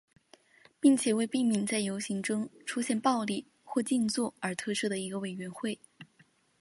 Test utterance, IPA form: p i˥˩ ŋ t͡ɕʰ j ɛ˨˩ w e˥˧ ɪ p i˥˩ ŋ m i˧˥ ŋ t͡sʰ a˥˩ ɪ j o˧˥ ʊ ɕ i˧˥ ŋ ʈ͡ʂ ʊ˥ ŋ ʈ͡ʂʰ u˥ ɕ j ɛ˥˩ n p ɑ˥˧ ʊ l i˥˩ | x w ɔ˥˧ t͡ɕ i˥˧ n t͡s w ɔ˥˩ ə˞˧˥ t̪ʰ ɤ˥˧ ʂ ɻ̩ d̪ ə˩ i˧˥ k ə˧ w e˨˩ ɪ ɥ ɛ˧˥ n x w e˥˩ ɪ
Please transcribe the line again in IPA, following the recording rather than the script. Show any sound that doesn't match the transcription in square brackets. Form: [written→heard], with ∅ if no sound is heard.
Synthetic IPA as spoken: p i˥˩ ŋ t͡ɕʰ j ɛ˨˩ w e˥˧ ɪ p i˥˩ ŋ m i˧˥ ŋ [t͡sʰ→t͡s] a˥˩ ɪ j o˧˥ ʊ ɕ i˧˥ ŋ ʈ͡ʂ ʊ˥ ŋ ʈ͡ʂʰ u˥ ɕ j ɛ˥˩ n p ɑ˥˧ ʊ l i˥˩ | x w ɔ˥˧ t͡ɕ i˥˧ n t͡s w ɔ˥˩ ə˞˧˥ t̪ʰ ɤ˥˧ ʂ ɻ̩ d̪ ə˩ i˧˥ [k→ɡ] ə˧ w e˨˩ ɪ ɥ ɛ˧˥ n x w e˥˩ ɪ